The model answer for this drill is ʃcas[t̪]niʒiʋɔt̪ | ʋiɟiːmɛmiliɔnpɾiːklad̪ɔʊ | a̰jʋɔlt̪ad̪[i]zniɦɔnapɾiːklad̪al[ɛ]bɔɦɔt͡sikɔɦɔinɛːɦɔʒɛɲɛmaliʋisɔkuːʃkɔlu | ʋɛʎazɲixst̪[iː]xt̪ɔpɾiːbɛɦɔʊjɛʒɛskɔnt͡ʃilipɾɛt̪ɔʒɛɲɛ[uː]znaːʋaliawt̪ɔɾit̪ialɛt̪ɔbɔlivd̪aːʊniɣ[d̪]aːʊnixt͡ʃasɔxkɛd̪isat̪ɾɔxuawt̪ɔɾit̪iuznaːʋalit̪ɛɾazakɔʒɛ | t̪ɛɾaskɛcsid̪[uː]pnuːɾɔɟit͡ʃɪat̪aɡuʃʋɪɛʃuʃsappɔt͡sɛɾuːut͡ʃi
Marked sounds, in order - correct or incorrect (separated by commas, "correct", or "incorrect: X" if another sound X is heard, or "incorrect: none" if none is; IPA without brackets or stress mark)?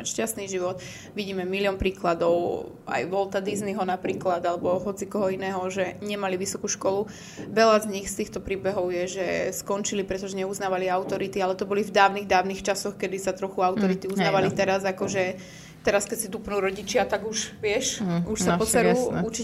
correct, correct, correct, correct, incorrect: u, correct, incorrect: u